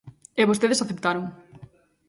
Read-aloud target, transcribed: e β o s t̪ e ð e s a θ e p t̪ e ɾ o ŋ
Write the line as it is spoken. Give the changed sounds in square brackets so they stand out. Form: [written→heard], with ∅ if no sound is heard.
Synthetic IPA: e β o s t̪ e ð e s a θ e p t̪ [e→a] ɾ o ŋ